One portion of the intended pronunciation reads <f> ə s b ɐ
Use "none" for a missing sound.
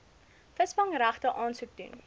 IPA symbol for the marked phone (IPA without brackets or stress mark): f